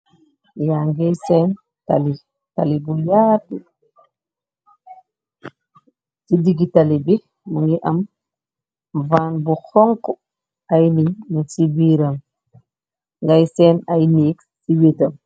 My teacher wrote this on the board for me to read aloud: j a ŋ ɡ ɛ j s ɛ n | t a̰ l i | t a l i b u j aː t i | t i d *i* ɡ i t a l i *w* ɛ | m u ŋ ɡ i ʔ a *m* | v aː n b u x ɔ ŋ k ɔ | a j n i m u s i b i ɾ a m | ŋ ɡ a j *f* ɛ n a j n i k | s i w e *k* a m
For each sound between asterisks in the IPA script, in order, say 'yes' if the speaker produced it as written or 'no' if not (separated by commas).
yes, no, yes, no, no